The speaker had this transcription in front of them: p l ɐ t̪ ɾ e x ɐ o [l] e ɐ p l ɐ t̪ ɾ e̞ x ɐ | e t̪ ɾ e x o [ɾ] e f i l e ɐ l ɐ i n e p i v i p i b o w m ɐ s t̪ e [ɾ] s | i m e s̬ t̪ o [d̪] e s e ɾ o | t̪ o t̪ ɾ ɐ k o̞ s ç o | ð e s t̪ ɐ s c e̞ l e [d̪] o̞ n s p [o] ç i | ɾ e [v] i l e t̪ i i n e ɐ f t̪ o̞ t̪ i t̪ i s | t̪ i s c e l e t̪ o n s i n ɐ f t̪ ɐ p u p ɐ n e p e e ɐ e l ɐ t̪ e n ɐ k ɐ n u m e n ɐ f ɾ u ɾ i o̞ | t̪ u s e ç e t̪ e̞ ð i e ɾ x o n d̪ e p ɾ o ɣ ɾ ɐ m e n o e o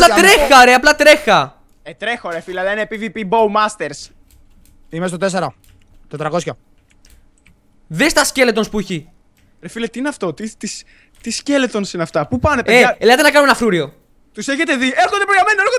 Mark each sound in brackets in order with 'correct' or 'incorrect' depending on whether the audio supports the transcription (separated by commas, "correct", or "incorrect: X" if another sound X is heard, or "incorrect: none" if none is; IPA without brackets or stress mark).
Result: incorrect: ɾ, correct, correct, incorrect: t̪, incorrect: t̪, incorrect: u, incorrect: f